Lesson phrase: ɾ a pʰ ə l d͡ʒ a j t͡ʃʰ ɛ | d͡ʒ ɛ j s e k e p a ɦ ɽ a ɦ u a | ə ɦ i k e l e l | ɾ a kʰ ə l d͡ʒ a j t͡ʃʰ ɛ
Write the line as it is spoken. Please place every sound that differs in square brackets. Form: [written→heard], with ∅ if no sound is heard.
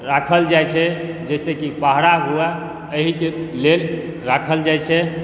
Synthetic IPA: ɾ a [pʰ→kʰ] ə l d͡ʒ a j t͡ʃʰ ɛ | d͡ʒ ɛ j s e k [e→i] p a ɦ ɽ a ɦ u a | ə ɦ i k e l e l | ɾ a kʰ ə l d͡ʒ a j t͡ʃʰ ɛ